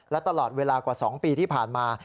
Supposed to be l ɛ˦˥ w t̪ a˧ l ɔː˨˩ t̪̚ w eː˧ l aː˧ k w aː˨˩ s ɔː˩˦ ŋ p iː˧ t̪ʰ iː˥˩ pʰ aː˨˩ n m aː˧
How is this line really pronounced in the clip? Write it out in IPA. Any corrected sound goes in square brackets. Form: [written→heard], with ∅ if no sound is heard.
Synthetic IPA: l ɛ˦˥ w t̪ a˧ l ɔː˨˩ t̪̚ w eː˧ l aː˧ k w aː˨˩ s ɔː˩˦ ŋ p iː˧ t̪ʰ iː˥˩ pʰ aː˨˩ n m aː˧